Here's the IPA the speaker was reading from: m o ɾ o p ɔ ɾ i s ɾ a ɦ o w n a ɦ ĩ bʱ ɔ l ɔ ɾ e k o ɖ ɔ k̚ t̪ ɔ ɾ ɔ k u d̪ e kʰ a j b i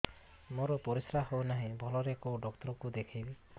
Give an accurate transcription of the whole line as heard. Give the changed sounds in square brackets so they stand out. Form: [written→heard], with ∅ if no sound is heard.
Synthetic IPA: m o ɾ [o→ɔ] p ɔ ɾ i s ɾ a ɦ o w n a ɦ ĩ bʱ ɔ l ɔ ɾ e k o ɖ ɔ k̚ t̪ ɔ ɾ ɔ k u d̪ e kʰ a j b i